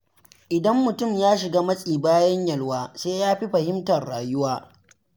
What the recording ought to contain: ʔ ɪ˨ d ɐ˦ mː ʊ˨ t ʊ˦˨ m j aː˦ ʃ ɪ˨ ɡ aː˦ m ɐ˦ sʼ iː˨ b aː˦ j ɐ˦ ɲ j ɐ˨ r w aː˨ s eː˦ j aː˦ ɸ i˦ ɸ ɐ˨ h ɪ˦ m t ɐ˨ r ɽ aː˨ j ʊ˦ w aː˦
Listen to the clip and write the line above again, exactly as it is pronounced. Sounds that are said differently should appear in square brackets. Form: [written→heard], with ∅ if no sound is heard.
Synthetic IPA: ʔ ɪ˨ d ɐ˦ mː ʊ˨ t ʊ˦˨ m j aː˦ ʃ ɪ˨ ɡ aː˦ m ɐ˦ sʼ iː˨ b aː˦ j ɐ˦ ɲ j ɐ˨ [r→l] w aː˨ s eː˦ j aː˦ ɸ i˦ ɸ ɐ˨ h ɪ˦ m t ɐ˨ r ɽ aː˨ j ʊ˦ w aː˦

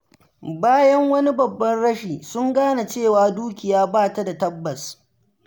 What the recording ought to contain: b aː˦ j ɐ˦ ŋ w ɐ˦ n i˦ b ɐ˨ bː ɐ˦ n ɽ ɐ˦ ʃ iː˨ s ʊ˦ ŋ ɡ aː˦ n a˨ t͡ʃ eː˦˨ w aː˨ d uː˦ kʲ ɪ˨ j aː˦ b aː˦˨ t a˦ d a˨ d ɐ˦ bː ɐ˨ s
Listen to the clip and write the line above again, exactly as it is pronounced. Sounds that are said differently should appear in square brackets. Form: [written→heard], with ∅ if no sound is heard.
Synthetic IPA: b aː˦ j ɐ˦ ŋ w ɐ˦ n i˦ b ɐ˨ bː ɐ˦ n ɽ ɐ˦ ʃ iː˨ s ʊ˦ ŋ ɡ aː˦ n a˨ t͡ʃ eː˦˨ w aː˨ d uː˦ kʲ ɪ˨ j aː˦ b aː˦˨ t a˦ d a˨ [d→t] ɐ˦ bː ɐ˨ s

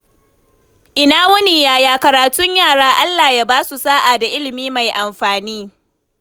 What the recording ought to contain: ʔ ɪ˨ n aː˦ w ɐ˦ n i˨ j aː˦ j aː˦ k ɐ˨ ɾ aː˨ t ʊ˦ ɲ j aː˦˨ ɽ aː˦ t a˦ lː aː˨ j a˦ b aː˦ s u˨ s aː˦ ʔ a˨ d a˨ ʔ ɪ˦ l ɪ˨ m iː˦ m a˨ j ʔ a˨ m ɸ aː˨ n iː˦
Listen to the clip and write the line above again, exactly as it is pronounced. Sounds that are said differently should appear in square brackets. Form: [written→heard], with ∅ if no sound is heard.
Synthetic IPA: ʔ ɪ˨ n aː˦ w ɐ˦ n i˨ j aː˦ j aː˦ k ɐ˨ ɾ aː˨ t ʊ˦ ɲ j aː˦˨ ɽ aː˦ [t→ʔ] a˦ lː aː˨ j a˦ b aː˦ s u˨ s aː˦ ʔ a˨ d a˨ ʔ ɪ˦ l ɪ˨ m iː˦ m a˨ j ʔ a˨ m ɸ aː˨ n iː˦

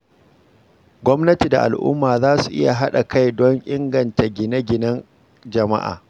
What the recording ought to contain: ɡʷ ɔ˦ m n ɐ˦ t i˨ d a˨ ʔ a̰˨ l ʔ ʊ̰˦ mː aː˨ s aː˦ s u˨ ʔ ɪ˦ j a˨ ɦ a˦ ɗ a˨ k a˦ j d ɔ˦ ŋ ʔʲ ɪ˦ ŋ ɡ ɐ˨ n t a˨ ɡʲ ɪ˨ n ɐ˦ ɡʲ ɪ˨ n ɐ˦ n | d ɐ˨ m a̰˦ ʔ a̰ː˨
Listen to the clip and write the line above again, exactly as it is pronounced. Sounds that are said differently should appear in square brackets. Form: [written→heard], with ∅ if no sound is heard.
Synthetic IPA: ɡʷ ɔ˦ m n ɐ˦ t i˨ d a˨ ʔ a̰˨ l ʔ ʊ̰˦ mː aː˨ [s→z] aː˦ s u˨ ʔ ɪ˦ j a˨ ɦ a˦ ɗ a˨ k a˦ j d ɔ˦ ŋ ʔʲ ɪ˦ ŋ ɡ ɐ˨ n t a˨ ɡʲ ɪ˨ n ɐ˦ ɡʲ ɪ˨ n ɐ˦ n | [d→d͡ʒ] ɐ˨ m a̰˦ ʔ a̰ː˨

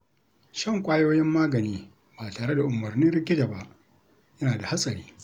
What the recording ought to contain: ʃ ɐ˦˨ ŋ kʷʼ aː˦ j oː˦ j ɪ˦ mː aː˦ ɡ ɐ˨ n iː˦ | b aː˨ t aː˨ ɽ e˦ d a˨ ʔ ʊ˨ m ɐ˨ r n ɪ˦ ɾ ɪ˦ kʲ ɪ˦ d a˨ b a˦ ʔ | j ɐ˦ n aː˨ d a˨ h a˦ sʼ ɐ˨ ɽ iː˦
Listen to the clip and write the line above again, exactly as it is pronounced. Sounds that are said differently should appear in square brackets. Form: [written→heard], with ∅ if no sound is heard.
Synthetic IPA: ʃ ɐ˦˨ ŋ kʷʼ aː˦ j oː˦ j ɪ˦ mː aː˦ ɡ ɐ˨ n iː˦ | b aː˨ t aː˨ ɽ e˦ d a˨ ʔ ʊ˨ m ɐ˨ r n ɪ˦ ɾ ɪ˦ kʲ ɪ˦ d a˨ b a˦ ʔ | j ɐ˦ n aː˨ d a˨ h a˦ sʼ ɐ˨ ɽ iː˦

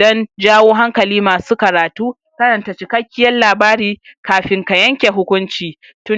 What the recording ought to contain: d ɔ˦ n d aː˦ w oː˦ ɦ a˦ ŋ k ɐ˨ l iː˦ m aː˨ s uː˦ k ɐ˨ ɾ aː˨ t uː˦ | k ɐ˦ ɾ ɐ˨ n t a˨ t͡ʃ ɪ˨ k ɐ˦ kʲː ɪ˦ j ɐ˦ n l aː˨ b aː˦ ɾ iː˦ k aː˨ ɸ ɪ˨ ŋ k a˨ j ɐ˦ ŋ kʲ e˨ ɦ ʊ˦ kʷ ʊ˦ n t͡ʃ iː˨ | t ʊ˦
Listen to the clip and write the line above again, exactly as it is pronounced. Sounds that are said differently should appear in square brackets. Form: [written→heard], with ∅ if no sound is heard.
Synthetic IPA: d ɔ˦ n [d→d͡ʒ] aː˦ w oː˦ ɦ a˦ ŋ k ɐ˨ l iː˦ m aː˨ s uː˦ k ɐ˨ ɾ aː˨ t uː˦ | k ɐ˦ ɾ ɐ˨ n t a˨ t͡ʃ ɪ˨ k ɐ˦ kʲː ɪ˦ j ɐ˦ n l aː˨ b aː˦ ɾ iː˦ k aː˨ ɸ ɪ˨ ŋ k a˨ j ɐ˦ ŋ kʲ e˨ ɦ ʊ˦ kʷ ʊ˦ n t͡ʃ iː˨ | t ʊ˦

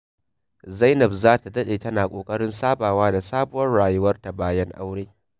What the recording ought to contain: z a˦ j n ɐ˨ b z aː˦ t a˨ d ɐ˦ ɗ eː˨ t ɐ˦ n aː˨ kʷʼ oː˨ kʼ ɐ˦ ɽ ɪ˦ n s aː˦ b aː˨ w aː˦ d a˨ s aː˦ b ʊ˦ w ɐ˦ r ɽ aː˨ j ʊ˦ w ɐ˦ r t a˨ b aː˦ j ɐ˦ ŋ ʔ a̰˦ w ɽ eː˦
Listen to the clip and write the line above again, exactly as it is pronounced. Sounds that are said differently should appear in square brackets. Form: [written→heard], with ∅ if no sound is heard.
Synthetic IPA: z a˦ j n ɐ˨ b z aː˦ t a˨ d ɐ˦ ɗ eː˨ t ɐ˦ n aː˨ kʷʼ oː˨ kʼ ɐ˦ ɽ ɪ˦ n s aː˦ b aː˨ w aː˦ d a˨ s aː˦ b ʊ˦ w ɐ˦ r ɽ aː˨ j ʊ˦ w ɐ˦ r t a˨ b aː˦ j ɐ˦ ŋ ʔ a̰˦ w ɽ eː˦

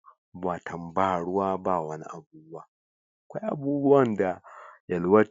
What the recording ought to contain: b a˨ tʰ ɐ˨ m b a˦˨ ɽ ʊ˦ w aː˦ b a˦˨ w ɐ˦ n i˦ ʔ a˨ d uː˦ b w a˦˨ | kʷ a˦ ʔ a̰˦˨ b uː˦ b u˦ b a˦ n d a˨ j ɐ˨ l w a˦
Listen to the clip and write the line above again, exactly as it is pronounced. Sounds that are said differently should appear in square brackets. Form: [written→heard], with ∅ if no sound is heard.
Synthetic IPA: b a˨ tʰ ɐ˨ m b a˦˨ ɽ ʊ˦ w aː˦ b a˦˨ w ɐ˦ n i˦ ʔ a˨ [d→b] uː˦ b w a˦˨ | kʷ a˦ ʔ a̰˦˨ b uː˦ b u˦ [b→w] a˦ n d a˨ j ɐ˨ l w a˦

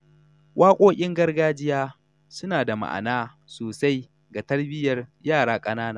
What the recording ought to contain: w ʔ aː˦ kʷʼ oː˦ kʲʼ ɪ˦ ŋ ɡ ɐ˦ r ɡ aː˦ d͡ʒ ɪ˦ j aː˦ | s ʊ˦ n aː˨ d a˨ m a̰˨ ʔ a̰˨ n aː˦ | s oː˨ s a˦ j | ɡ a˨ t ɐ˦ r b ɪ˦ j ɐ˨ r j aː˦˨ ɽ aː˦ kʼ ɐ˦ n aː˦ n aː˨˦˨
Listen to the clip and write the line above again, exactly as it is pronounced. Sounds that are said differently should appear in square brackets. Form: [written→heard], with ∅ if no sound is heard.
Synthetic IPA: w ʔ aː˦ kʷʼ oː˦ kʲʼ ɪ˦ ŋ ɡ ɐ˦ r ɡ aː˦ d͡ʒ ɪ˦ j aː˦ | s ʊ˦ n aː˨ d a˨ m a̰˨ ʔ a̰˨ n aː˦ | s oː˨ s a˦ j | ɡ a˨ t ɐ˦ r b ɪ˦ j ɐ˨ r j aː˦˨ ɽ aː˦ kʼ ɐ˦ n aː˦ n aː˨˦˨

